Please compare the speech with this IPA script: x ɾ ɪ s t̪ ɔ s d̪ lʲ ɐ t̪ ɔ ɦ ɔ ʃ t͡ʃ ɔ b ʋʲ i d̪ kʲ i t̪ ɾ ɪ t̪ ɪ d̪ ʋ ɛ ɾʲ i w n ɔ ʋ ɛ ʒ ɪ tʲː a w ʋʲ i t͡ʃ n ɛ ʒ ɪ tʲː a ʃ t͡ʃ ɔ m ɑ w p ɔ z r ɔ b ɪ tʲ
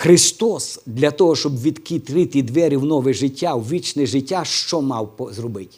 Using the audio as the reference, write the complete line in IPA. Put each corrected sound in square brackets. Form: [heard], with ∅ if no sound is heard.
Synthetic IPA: x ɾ ɪ s t̪ ɔ s d̪ lʲ ɐ t̪ ɔ ɦ ɔ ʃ t͡ʃ ɔ b ʋʲ i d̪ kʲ i t̪ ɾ ɪ t̪ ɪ d̪ ʋ ɛ ɾʲ i w n ɔ ʋ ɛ ʒ ɪ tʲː a w ʋʲ i t͡ʃ n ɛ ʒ ɪ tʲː a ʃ t͡ʃ ɔ m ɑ w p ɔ z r ɔ b ɪ tʲ